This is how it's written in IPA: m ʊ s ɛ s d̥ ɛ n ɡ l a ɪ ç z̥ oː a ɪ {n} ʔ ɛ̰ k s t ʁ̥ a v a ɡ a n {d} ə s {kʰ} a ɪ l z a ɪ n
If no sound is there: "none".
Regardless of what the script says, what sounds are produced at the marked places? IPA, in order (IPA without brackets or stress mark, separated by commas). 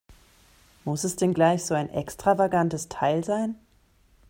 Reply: n, t, tʰ